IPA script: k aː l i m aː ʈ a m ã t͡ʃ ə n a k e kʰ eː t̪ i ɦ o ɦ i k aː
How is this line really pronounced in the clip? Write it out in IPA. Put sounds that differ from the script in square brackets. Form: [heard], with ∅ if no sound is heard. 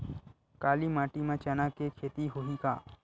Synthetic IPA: k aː l i m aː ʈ [i] m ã t͡ʃ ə n a k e kʰ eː t̪ i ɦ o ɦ i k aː